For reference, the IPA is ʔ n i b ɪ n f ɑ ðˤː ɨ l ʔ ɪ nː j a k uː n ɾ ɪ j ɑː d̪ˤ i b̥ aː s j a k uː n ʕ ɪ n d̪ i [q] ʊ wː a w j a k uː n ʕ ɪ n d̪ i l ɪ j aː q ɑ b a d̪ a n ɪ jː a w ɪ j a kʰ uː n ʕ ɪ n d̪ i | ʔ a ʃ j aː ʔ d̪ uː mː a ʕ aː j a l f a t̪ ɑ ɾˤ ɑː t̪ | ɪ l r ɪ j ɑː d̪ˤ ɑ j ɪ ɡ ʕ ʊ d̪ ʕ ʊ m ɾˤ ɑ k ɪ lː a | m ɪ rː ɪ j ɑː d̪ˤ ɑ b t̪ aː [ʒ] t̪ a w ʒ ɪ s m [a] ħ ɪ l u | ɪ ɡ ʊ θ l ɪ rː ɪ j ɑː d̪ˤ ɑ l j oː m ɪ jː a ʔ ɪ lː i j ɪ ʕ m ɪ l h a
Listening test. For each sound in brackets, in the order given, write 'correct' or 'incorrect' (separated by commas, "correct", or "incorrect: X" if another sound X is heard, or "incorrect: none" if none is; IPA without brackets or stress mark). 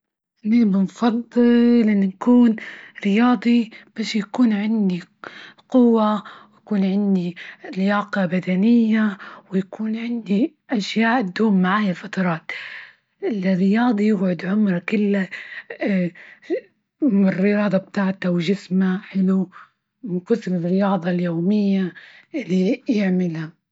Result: correct, incorrect: ʕ, correct